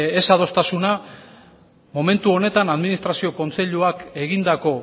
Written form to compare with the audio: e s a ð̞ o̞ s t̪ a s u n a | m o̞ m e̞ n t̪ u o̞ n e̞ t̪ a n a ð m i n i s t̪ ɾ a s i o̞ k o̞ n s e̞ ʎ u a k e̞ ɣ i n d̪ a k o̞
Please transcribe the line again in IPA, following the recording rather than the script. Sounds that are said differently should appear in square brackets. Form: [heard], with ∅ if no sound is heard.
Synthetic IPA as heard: e s a ð̞ o̞ s t̪ a s u n a | m o̞ m e̞ n t̪ u o̞ n e̞ t̪ a n a ð m i n i s t̪ ɾ a s i o̞ k o̞ n [t͡s] e̞ ʎ u a k e̞ ɣ i n d̪ a k o̞